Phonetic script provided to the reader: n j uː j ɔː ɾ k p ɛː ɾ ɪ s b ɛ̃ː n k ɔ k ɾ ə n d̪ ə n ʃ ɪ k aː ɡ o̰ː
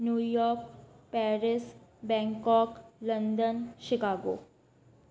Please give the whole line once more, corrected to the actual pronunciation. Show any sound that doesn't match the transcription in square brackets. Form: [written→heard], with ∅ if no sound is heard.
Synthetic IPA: n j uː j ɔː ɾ k p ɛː ɾ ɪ s b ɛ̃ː [n→ŋ] k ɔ k [ɾ→l] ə n d̪ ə n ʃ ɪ k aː ɡ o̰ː

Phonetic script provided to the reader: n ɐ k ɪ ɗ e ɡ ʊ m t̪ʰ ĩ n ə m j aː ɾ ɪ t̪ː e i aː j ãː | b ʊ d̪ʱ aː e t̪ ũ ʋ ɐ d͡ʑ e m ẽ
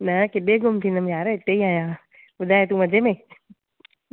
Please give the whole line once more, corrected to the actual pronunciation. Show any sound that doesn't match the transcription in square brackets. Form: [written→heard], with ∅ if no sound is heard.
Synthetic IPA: n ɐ k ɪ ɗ e ɡ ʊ m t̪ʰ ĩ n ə m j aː ɾ ɪ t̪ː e i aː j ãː | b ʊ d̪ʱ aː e t̪ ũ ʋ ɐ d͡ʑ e m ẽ

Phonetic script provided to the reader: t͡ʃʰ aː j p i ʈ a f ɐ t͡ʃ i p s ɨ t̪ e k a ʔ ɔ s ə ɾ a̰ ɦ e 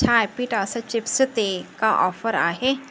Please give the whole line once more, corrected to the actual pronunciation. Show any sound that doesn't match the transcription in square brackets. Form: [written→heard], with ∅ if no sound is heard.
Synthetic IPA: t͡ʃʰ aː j p i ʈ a [f→s] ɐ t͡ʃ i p s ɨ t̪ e k a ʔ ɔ [s→f] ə ɾ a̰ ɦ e

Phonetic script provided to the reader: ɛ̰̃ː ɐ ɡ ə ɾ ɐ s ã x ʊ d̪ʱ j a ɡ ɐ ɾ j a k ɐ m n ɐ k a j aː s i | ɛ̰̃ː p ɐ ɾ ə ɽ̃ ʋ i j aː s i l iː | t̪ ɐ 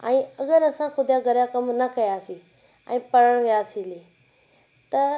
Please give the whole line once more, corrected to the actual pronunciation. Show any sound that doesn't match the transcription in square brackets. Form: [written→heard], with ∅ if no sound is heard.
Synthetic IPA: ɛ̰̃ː ɐ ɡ ə ɾ ɐ s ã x ʊ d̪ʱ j a ɡ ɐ ɾ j a k ɐ m n ɐ k [a→ɐ] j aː s i | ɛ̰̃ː p ɐ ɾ ə ɽ̃ ʋ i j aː s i l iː | t̪ ɐ

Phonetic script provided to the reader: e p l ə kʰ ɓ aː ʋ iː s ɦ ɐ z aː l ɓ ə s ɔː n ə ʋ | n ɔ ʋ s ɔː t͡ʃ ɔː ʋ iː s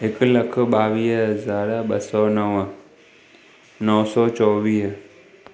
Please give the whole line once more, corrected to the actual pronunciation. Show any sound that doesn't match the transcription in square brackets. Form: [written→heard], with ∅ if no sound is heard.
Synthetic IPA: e [p→k] l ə kʰ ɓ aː ʋ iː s ɦ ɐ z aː [l→ɾ] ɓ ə s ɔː n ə ʋ | n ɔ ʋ s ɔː t͡ʃ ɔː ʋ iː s

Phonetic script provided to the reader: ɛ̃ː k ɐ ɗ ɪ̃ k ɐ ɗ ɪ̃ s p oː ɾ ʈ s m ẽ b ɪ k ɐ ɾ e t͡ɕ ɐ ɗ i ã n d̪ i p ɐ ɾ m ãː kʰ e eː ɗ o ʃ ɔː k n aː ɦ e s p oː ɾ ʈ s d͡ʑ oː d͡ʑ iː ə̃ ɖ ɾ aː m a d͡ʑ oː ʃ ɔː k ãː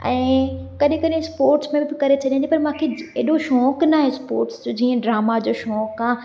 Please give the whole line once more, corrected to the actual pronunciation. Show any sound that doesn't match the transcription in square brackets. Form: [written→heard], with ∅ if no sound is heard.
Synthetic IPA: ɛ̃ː k ɐ ɗ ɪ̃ k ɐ ɗ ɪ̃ s p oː ɾ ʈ s m ẽ b ɪ k ɐ ɾ e [t͡ɕ→t͡ɕʰ] ɐ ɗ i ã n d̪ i p ɐ ɾ m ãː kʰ e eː ɗ o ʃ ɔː k n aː ɦ e s p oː ɾ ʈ s d͡ʑ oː d͡ʑ iː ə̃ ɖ ɾ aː m a d͡ʑ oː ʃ ɔː k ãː

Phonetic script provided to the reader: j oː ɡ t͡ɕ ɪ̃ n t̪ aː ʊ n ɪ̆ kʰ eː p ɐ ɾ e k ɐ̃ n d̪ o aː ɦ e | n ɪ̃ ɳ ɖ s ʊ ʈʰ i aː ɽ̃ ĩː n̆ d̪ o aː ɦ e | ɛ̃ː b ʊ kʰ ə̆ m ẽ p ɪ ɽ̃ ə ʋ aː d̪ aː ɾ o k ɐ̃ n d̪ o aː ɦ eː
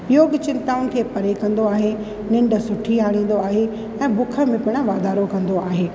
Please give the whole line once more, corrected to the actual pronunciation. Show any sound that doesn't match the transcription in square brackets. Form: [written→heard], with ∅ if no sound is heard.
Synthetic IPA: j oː ɡ t͡ɕ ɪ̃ n t̪ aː ʊ n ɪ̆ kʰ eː p ɐ ɾ e k ɐ̃ n d̪ o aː ɦ e | n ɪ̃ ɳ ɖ s ʊ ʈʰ i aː ɽ̃ ĩː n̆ d̪ o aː ɦ e | ɛ̃ː b ʊ kʰ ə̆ m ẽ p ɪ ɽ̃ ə ʋ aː d̪ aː ɾ o k ɐ̃ n d̪ o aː ɦ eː

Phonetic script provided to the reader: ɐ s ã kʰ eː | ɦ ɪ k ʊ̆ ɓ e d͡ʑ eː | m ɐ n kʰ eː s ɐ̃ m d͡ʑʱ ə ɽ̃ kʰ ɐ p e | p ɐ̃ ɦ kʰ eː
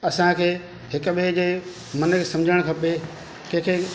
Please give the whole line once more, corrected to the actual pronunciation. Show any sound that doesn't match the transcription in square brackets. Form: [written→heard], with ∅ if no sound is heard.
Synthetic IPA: ɐ s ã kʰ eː | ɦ ɪ k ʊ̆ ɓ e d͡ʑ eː | m ɐ n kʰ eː s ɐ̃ m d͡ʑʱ ə ɽ̃ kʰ ɐ p e | [p→k] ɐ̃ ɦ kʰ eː

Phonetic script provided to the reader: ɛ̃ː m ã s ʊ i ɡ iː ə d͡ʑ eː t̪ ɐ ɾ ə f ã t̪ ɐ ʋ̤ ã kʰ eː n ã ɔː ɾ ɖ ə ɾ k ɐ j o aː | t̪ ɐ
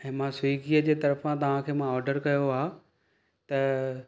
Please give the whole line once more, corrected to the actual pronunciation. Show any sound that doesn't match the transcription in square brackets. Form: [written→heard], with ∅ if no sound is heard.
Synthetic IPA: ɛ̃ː m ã s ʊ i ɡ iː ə d͡ʑ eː t̪ ɐ ɾ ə f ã t̪ ɐ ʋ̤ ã kʰ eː [n→m] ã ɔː ɾ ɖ ə ɾ k ɐ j o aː | t̪ ɐ

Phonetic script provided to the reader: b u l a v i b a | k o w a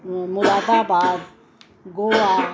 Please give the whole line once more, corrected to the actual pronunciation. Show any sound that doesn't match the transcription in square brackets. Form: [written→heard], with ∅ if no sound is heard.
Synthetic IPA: [b→m] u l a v [i→a] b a | [k→ɡ] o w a

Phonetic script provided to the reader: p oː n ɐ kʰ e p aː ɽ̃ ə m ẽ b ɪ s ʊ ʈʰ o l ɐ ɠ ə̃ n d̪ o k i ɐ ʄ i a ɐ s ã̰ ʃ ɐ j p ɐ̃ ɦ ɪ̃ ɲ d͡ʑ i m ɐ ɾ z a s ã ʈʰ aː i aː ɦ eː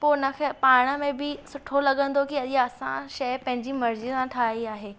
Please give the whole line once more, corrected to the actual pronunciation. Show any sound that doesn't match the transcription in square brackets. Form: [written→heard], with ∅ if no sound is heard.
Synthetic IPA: p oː n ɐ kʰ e p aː ɽ̃ ə m ẽ b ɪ s ʊ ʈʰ o l ɐ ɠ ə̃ n d̪ o k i ɐ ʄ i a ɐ s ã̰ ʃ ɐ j p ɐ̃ ɦ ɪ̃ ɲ d͡ʑ i m ɐ ɾ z [a→i] s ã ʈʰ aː i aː ɦ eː

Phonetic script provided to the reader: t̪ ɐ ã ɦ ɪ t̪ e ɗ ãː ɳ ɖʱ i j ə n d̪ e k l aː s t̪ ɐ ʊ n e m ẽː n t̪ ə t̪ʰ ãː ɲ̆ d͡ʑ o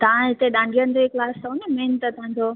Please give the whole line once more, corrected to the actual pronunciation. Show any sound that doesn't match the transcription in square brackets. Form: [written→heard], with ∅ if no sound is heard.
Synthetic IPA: t̪ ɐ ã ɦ ɪ t̪ e ɗ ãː ɳ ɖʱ i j ə n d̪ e k l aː s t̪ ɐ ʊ n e m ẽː n t̪ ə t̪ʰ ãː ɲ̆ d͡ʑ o

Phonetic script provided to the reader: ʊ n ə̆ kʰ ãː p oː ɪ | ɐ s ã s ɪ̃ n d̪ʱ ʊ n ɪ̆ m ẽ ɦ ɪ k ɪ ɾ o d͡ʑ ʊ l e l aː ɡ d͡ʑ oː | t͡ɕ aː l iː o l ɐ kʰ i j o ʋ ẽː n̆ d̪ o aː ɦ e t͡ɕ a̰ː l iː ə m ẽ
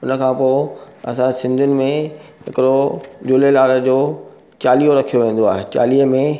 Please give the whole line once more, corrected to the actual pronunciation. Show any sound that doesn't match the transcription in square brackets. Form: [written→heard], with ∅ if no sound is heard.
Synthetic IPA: ʊ n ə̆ kʰ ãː p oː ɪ | ɐ s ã s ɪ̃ n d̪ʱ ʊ n ɪ̆ m ẽ ɦ ɪ k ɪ ɾ o d͡ʑ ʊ l e l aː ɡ d͡ʑ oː | t͡ɕ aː l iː o [l→ɾ] ɐ kʰ i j o ʋ ẽː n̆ d̪ o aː ɦ e t͡ɕ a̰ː l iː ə m ẽ

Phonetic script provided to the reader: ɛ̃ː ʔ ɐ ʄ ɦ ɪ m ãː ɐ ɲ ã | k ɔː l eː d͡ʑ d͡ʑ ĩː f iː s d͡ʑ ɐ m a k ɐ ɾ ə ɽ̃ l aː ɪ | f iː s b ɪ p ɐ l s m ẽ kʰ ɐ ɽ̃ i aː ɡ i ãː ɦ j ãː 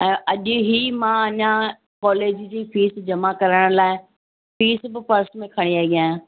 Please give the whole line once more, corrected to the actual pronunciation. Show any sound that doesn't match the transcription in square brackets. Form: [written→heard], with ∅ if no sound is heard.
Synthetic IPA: ɛ̃ː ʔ ɐ ʄ ɦ [ɪ→i] m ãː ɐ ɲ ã | k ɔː l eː d͡ʑ d͡ʑ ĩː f iː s d͡ʑ ɐ m a k ɐ ɾ ə ɽ̃ l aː ɪ | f iː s b ɪ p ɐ [l→ɾ] s m ẽ kʰ ɐ ɽ̃ i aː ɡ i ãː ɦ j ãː

